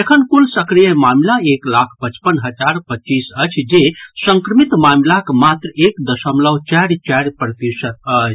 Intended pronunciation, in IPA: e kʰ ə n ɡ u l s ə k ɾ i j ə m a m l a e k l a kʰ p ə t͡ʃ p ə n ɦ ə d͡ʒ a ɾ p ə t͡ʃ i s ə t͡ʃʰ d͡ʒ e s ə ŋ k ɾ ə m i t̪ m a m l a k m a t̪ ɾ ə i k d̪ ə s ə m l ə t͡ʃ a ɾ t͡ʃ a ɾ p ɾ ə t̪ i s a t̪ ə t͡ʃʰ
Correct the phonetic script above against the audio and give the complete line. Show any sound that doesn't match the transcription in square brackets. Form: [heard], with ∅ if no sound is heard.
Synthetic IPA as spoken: e kʰ ə n [k] u l s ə k ɾ i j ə m a m l a e k l a kʰ p ə t͡ʃ p ə n ɦ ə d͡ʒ a ɾ p ə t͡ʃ i s ə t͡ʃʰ d͡ʒ e s ə ŋ k ɾ ə m i t̪ m a m l a k m a t̪ ɾ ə [e] k d̪ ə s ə m l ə t͡ʃ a ɾ t͡ʃ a ɾ p ɾ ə t̪ i s [ə] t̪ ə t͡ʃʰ

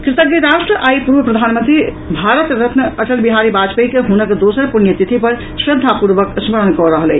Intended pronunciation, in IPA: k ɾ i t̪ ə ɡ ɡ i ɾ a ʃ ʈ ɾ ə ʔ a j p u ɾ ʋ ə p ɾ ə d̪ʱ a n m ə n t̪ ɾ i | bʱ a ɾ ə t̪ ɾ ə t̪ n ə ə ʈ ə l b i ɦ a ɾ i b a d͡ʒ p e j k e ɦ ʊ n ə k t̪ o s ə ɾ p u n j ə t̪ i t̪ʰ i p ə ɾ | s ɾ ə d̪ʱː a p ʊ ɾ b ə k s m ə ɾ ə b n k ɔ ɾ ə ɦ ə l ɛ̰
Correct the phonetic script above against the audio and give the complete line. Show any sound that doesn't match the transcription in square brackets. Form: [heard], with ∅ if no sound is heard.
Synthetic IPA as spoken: k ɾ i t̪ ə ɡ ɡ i ɾ a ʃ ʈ ɾ ə ʔ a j p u ɾ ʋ ə p ɾ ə d̪ʱ a n m ə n t̪ ɾ i | bʱ a ɾ ə t̪ ɾ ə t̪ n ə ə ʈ ə l b i ɦ a ɾ i b a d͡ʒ p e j k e ɦ [u] n ə k [d̪] o s ə ɾ p u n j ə t̪ i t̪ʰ i p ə ɾ | s ɾ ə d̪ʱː a p [u] ɾ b ə k s m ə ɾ ə [∅] n k ɔ ɾ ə ɦ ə l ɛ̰

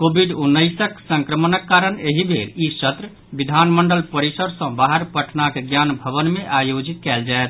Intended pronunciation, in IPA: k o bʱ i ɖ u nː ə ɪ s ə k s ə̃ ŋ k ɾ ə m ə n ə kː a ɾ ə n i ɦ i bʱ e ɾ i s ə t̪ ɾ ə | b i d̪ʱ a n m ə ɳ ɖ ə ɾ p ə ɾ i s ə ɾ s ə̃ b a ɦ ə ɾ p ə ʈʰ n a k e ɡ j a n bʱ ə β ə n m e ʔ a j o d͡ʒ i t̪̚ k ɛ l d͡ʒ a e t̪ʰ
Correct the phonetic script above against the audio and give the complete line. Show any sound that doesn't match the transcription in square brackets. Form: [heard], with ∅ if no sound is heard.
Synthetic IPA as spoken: k o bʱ i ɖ u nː ə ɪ s ə k s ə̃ ŋ k ɾ ə m ə n ə kː a ɾ ə n [e] ɦ i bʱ e ɾ i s ə t̪ ɾ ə | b i d̪ʱ a n m ə ɳ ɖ ə [l] p ə ɾ i s ə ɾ s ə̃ b a ɦ ə ɾ p ə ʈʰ n a k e ɡ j a n bʱ ə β ə n m e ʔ a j o d͡ʒ i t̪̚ k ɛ l d͡ʒ a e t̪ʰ

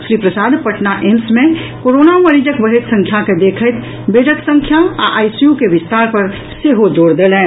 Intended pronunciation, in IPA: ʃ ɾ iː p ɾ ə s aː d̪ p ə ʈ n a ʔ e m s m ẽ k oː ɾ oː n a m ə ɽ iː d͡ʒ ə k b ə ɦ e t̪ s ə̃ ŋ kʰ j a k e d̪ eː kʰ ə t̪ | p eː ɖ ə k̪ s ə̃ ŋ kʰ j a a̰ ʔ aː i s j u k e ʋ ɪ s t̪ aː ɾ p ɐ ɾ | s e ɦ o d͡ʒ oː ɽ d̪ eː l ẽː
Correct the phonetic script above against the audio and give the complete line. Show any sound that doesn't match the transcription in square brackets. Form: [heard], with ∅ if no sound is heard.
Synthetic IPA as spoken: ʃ ɾ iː p ɾ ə s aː d̪ p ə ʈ n a ʔ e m s m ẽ k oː ɾ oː n a m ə [ɾ] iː d͡ʒ ə k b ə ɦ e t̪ s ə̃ ŋ kʰ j a k e d̪ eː kʰ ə t̪ | [b] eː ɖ ə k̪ s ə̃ ŋ kʰ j a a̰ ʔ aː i s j u k e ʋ ɪ s t̪ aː ɾ p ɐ ɾ | s e ɦ o d͡ʒ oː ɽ d̪ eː l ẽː

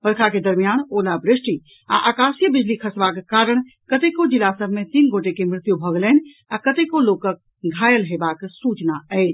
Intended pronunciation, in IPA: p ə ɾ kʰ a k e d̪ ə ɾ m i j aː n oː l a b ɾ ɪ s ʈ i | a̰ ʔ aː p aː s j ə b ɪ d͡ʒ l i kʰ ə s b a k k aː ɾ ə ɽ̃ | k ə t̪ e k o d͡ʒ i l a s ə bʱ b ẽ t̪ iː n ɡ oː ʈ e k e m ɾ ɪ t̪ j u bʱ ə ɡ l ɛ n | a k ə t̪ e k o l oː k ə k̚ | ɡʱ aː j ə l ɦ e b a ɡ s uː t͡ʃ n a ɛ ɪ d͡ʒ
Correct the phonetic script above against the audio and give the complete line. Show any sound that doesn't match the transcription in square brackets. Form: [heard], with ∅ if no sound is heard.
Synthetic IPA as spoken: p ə ɾ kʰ a k e d̪ ə ɾ m i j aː n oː l a b ɾ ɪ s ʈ i | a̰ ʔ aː [k] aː s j ə b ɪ d͡ʒ l i kʰ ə s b a k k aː ɾ ə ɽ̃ | k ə t̪ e k o d͡ʒ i l a s ə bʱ [m] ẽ t̪ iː n ɡ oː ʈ e k e m ɾ ɪ t̪ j u bʱ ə ɡ l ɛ n | a k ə t̪ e k o l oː k ə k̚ | ɡʱ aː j ə l ɦ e b a [k] s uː t͡ʃ n a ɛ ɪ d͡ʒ

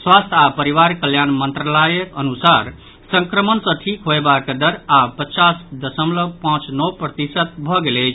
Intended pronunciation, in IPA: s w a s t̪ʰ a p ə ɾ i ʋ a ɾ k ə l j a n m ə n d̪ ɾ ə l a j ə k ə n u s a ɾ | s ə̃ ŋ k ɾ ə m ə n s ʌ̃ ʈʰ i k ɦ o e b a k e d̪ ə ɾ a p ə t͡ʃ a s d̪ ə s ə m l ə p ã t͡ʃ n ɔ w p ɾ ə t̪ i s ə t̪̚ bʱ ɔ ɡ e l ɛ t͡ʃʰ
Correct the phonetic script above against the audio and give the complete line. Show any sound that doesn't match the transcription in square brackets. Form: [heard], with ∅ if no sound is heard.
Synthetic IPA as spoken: s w a s t̪ʰ a p ə ɾ i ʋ a ɾ k ə l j a n m ə n [t̪] ɾ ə l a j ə k ə n u s a ɾ | s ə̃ ŋ k ɾ ə m ə n s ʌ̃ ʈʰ i k ɦ o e b a k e d̪ ə ɾ a p ə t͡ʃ a s d̪ ə s ə m l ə p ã t͡ʃ n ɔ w p ɾ ə t̪ i s ə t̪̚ bʱ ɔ ɡ e l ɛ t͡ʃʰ

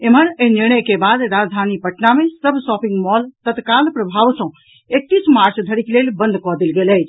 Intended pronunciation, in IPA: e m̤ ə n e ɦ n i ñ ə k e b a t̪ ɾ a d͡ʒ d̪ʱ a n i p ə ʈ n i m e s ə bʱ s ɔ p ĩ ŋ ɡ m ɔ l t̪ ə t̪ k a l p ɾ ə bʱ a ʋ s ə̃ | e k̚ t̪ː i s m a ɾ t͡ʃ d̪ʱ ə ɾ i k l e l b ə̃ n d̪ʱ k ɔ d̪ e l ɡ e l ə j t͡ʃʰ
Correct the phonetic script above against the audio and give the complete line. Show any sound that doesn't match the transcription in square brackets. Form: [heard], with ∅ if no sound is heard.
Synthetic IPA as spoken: e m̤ ə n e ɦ n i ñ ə k e b a [d̪] ɾ a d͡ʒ d̪ʱ a n i p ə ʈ n [a] m e s ə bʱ s ɔ p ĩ ŋ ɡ m ɔ l t̪ ə t̪ k a l p ɾ ə bʱ a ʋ s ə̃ | e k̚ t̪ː i s m a ɾ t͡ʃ d̪ʱ ə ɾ i k l e l b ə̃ n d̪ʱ k ɔ d̪ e l ɡ e l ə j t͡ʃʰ

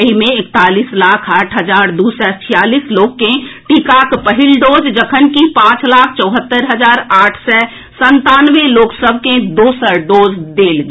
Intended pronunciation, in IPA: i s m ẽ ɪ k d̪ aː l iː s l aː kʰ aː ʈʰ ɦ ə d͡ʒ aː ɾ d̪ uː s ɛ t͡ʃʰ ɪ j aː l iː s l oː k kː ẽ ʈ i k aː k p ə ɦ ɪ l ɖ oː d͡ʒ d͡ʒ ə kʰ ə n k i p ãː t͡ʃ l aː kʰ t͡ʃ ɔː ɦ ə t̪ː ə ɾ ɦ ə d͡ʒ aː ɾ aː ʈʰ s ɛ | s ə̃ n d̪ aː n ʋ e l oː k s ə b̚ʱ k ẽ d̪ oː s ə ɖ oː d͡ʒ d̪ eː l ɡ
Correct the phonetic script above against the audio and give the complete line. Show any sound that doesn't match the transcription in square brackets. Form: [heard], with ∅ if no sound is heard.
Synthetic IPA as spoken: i [∅] m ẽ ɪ k [t̪] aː l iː s l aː kʰ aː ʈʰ ɦ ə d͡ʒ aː ɾ d̪ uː s ɛ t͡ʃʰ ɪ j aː l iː s l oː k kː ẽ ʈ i k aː k p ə ɦ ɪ l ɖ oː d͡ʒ d͡ʒ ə kʰ ə n k i p ãː t͡ʃ l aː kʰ t͡ʃ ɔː ɦ ə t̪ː ə ɾ ɦ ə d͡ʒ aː ɾ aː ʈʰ s ɛ | s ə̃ n [t̪] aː n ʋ e l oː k s ə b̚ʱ k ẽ d̪ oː s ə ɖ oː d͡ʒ d̪ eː l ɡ

